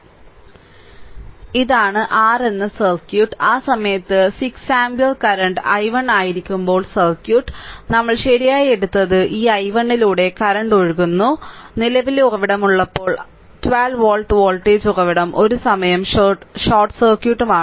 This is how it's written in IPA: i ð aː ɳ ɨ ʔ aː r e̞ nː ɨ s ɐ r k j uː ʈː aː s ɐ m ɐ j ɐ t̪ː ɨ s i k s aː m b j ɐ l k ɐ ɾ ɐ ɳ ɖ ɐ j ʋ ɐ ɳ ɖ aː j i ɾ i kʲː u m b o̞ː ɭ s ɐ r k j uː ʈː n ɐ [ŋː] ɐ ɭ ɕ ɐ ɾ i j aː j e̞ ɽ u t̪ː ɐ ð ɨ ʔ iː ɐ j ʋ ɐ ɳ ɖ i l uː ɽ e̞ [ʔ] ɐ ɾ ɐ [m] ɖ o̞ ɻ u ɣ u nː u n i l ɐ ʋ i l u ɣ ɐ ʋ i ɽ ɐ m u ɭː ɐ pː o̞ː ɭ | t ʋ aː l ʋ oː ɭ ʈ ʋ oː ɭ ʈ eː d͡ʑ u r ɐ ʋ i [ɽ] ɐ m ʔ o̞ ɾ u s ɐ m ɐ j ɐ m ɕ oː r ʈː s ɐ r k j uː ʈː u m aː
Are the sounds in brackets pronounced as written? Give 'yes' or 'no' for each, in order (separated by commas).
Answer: no, no, no, yes